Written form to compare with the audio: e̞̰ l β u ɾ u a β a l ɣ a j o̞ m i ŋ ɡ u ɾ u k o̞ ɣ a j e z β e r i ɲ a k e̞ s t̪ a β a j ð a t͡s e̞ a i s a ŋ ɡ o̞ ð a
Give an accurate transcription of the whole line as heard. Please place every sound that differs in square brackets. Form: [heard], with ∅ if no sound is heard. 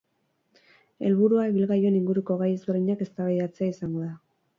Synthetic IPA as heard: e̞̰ l β u ɾ u a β [i] l ɣ a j o̞ [n] i ŋ ɡ u ɾ u k o̞ ɣ a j e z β e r i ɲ a k e̞ s t̪ a β a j ð a t͡s e̞ a i s a ŋ ɡ o̞ ð a